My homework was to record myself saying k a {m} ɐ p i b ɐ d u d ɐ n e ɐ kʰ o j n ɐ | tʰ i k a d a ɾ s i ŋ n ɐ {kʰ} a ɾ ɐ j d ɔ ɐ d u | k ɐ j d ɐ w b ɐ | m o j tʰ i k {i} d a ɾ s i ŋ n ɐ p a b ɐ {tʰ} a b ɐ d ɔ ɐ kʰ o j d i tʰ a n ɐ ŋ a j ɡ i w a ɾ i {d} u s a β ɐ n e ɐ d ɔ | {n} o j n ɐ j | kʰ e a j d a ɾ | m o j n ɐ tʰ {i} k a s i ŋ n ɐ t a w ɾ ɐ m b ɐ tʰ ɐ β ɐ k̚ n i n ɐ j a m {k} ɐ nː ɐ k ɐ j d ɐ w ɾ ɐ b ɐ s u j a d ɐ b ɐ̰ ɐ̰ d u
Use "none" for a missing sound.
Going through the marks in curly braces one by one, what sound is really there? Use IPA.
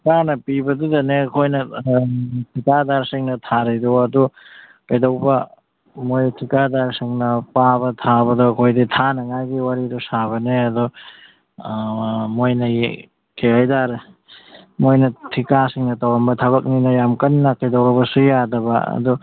n, tʰ, a, tʰ, d, m, i, k

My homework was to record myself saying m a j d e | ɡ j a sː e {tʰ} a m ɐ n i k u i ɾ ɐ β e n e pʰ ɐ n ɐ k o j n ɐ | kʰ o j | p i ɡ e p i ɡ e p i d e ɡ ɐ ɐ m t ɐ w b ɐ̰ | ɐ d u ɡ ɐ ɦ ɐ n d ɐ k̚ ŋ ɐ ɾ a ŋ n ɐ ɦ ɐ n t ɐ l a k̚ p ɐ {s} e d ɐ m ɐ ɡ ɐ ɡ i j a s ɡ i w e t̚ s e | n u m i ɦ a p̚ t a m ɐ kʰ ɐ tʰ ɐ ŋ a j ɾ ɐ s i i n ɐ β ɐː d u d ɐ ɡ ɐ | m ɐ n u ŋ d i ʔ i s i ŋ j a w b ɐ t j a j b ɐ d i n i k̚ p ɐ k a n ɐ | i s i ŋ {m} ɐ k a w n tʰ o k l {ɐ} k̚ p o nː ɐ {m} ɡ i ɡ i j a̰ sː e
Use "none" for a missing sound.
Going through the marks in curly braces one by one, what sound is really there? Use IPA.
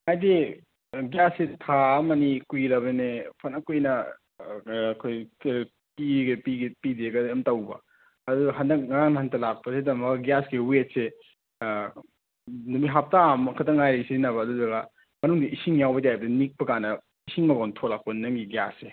tʰ, s, m, a, ŋ

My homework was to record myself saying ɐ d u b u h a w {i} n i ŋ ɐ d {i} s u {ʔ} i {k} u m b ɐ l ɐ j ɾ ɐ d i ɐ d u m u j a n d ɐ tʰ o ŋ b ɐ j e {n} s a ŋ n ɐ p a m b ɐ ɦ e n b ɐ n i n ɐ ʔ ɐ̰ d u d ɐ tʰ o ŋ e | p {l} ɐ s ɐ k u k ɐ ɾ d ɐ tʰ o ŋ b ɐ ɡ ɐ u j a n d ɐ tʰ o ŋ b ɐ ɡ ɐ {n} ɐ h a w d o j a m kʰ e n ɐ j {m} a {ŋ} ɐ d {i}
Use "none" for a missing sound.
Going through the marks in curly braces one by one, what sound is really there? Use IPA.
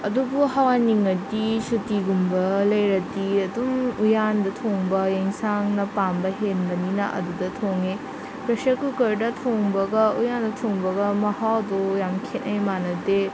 a, i, t, ɡ, ŋ, ɾ, m, m, n, e

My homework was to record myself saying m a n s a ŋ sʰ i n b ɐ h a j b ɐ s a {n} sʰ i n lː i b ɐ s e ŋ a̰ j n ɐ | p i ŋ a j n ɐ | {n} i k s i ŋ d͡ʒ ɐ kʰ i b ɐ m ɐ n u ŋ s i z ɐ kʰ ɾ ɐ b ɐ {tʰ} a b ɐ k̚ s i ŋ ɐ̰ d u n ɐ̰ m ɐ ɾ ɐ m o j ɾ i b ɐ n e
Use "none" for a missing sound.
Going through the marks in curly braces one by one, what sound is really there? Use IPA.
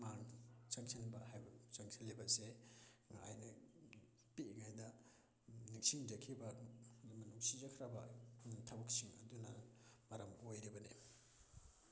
ŋ, n, tʰ

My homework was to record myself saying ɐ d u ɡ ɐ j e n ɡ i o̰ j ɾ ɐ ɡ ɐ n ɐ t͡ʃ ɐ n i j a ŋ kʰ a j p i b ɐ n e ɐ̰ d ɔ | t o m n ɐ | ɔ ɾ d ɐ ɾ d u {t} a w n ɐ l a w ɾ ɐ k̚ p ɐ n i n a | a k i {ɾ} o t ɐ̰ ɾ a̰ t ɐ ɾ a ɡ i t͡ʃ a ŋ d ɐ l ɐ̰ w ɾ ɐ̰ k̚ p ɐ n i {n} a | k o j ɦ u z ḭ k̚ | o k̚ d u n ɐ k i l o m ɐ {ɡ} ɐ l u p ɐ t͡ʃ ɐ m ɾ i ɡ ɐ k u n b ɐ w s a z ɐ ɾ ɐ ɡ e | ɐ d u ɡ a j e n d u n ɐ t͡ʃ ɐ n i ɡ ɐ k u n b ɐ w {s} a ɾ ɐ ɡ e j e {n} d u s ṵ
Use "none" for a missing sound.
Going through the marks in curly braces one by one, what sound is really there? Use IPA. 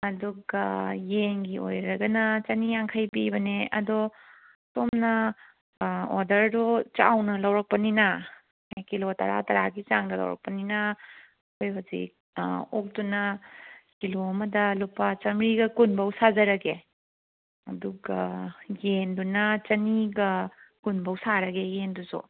t͡ʃ, l, n, d, s, n

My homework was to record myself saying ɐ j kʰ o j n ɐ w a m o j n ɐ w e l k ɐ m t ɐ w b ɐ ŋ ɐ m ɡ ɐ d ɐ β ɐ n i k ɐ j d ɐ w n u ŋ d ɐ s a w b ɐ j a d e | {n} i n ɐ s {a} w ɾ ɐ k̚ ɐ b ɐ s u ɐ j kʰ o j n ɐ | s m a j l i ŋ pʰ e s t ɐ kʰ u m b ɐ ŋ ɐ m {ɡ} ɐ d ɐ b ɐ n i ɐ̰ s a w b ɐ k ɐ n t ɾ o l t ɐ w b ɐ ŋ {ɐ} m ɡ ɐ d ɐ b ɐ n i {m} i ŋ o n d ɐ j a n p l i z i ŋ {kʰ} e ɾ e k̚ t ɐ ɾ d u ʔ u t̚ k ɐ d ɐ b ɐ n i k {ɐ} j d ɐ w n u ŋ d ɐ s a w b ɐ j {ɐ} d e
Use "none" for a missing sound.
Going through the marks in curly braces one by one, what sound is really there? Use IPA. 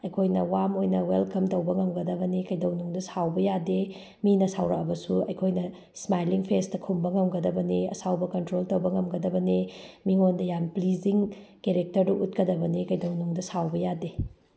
m, a, ɡ, ɐ, m, k, ɐ, a

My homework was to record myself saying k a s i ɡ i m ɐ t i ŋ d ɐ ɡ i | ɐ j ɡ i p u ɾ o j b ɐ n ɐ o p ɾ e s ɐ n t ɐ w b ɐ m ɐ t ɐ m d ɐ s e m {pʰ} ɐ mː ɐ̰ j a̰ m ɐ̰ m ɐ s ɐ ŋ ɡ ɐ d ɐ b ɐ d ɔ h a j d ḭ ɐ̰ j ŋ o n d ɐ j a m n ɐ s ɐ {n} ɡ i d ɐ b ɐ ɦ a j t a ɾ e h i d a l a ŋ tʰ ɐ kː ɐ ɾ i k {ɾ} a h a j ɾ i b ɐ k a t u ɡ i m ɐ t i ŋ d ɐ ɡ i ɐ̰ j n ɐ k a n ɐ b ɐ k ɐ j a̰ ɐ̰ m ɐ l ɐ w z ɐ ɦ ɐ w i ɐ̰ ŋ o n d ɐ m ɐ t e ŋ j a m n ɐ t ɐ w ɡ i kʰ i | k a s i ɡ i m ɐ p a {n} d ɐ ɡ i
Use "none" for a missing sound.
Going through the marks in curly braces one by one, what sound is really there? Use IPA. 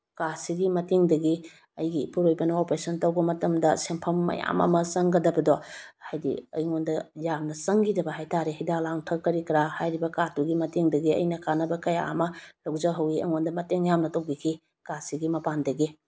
pʰ, ŋ, ɾ, n

